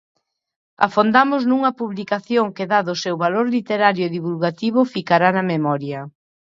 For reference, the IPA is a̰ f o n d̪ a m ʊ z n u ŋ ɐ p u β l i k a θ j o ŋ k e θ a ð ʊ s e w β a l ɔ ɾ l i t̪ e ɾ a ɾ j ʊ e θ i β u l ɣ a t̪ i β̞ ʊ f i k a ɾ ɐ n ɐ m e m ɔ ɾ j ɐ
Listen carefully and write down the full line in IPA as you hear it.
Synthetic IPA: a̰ f o n d̪ a m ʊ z n u ŋ ɐ p u β l i k a θ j o ŋ k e ð a ð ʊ s e w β a l o ɾ l i t̪ e ɾ a ɾ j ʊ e ð i β u l ɣ a t̪ i β̞ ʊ f i k a ɾ a n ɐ m e m ɔ ɾ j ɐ

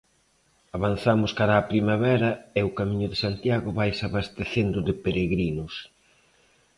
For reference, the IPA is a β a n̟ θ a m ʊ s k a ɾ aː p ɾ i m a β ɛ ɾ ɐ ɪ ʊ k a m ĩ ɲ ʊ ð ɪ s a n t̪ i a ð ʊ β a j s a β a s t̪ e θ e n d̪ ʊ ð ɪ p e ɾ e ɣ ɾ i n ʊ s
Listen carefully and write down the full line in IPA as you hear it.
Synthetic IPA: a β a n̟ θ a m ʊ s k a ɾ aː p ɾ i m a β ɛ ɾ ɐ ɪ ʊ k a m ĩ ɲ ʊ ð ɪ s a n t̪ j a ɣ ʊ β a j s a β a s t̪ e θ e n d̪ ʊ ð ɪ p e ɾ e ɣ ɾ i n ʊ s

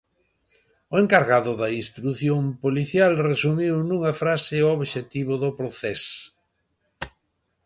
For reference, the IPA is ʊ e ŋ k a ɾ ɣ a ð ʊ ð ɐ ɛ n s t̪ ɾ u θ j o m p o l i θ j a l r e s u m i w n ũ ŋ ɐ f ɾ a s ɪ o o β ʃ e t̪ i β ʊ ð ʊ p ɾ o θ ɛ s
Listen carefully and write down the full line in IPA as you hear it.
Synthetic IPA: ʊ e ŋ k a ɾ ɣ a ð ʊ ð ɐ i n s t̪ ɾ u θ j o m p o l i θ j a l r e s u m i w n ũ ŋ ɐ f ɾ a s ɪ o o β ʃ e t̪ i β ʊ ð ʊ p ɾ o θ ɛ s

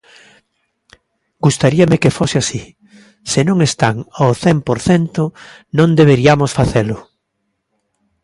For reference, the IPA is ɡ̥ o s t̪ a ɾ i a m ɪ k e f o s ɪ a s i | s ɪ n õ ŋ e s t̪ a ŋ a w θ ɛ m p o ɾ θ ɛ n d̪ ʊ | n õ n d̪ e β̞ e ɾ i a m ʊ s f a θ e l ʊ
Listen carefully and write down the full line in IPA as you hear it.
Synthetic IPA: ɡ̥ u s t̪ a ɾ i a m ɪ k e f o s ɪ a s i | s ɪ n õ ŋ e s t̪ a ŋ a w θ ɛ m p o ɾ θ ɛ n t̪ ʊ | n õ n d̪ e β̞ e ɾ i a m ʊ s f a θ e l ʊ

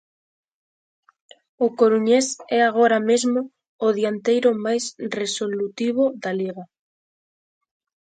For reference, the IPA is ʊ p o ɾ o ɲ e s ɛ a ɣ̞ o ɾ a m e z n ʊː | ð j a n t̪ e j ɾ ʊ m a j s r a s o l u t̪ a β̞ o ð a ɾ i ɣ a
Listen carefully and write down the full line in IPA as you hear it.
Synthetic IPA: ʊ k o ɾ u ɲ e s ɛ a ɣ̞ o ɾ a m e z m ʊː | ð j a n t̪ e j ɾ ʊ m a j s r e s o l u t̪ i β̞ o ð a l i ɣ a

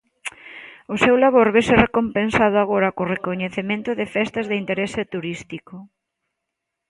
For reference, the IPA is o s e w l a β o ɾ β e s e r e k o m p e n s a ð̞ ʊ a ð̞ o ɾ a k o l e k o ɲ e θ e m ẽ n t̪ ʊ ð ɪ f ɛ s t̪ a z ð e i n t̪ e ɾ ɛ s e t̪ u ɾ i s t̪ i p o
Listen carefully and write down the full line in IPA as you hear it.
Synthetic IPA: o s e w l a β o ɾ β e s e r e k o m p e n s a ð̞ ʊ a ɣ̞ o ɾ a k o r e k o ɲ e θ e m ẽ n t̪ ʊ ð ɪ f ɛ s t̪ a z ð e i n t̪ e ɾ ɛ s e t̪ u ɾ i s t̪ i k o

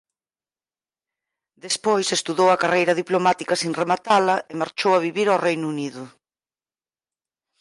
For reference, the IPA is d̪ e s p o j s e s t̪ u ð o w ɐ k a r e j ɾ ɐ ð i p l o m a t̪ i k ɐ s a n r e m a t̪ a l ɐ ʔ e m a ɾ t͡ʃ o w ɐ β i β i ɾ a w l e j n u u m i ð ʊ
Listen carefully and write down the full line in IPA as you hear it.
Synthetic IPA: d̪ e s p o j s e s t̪ u ð o w ɐ k a r e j ɾ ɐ ð i p l o m a t̪ i k ɐ s i n r e m a t̪ a l ɐ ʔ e m a ɾ t͡ʃ o w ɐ β i β i ɾ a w r e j n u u n i ð ʊ

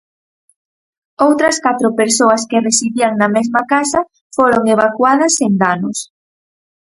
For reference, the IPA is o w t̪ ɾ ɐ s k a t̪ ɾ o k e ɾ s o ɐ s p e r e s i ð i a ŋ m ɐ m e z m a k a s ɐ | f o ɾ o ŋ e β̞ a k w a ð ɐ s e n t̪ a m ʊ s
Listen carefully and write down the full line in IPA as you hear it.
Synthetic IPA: o w t̪ ɾ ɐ s k a t̪ ɾ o p e ɾ s o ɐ s k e r e s i ð i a ŋ n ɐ m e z m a k a s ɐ | f o ɾ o ŋ e β̞ a k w a ð ɐ s e n d̪ a n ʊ s

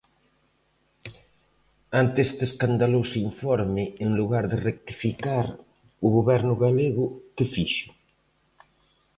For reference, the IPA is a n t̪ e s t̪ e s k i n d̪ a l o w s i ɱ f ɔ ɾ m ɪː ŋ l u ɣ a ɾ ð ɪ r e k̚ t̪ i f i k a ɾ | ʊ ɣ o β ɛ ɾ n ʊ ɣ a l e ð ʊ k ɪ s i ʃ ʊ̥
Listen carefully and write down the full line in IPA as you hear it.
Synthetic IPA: a n t̪ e s t̪ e s k a n d̪ a l o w s i ɱ f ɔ ɾ m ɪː ŋ l u ɣ a ɾ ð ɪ r e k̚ t̪ i f i k a ɾ | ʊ ɣ o β ɛ ɾ n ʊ ɣ a l e ɣ ʊ k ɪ f i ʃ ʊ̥

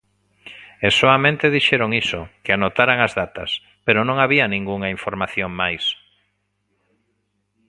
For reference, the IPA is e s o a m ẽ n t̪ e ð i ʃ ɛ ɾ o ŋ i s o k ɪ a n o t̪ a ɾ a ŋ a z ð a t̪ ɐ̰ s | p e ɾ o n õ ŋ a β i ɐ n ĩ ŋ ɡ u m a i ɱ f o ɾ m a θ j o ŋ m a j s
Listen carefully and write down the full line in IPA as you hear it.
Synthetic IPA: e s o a m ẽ n t̪ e ð i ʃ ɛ ɾ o ŋ i s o k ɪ a n o t̪ a ɾ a ŋ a z ð a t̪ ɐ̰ s | p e ɾ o n õ ŋ a β i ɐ n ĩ ŋ ɡ u ŋ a i ɱ f o ɾ m a θ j o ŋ m a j s

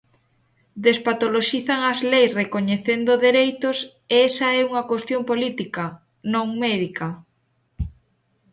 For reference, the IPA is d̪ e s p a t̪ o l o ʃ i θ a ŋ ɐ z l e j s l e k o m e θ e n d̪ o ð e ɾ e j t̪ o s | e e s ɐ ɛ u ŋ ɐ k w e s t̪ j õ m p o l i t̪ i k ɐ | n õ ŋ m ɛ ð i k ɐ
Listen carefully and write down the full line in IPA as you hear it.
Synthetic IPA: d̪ e s p a t̪ o l o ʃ i θ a ŋ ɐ z l e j s r e k o ɲ e θ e n d̪ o ð e ɾ e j t̪ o s | e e s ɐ ɛ u ŋ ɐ k w e s t̪ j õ m p o l i t̪ i k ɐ | n õ ŋ m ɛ ð i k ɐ

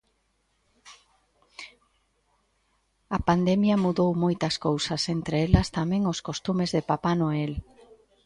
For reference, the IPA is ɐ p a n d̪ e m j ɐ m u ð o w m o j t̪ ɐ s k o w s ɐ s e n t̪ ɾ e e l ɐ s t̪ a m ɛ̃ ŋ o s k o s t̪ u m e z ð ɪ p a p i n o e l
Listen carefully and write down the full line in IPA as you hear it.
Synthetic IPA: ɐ p a n d̪ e m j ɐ m u ð o w m o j t̪ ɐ s k o w s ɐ s e n t̪ ɾ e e l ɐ s t̪ a m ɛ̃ ŋ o s k o s t̪ u m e z ð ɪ p a p a n o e l

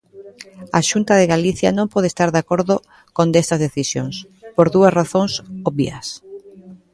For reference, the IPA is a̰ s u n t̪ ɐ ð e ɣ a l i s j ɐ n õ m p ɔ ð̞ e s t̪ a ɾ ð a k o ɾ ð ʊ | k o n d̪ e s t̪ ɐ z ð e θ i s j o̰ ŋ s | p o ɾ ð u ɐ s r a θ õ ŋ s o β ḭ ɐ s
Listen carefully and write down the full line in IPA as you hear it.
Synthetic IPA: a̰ ʃ u n t̪ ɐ ð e ɣ a l i θ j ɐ n õ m p ɔ ð̞ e s t̪ a ɾ ð a k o ɾ ð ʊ | k o n d̪ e s t̪ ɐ z ð e θ i s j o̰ ŋ s | p o ɾ ð u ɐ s r a θ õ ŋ s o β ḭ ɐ s

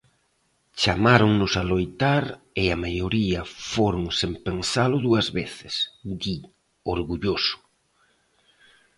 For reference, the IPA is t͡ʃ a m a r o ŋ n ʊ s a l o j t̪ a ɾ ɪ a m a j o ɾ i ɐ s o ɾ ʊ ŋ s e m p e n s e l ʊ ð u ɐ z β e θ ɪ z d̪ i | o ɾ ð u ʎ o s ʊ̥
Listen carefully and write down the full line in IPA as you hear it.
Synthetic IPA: t͡ʃ a m a ɾ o ŋ n ʊ s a l o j t̪ a ɾ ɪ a m a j o ɾ i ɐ f o ɾ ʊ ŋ s e m p e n s a l ʊ ð u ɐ z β e θ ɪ s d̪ i | o ɾ ɣ u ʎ o s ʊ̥

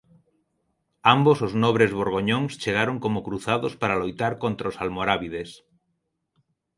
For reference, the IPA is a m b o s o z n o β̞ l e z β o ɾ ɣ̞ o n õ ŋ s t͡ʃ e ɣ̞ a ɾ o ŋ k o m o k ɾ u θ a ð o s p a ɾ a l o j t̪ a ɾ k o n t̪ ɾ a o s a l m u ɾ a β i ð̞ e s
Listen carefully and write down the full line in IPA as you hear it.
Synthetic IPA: a m b o s o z n o β̞ ɾ e z β o ɾ ɣ̞ o ɲ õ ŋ s t͡ʃ e ɣ̞ a ɾ o ŋ k o m o k ɾ u θ a ð o s p a ɾ a l o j t̪ a ɾ k o n t̪ ɾ a o s a l m o ɾ a β i ð̞ e s

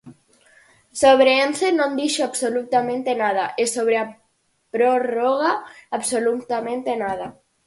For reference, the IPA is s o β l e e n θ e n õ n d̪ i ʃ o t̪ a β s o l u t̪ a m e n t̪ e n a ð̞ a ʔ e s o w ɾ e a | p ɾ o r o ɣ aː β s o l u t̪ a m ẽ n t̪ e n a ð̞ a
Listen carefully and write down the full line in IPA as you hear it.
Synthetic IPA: s o β ɾ e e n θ e n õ n d̪ i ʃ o a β s o l u t̪ a m ẽ n t̪ e n a ð̞ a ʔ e s o β ɾ e a | p ɾ o r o ɣ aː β s o l u t̪ a m ẽ n t̪ e n a ð̞ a

